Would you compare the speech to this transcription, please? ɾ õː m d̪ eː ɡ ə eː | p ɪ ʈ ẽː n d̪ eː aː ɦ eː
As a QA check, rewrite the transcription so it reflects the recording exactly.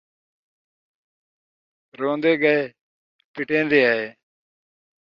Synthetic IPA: ɾ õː n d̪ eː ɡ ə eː | p ɪ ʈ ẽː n d̪ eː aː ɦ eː